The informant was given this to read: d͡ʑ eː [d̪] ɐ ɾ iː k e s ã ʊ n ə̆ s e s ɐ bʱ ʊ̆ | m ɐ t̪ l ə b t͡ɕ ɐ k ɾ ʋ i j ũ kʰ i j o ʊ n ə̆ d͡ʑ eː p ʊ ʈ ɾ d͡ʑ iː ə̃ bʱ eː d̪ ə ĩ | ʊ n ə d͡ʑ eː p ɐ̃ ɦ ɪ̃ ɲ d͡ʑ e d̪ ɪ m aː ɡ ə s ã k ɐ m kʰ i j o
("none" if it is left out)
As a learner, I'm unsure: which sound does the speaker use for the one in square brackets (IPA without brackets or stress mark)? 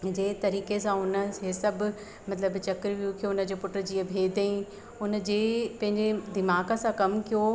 t̪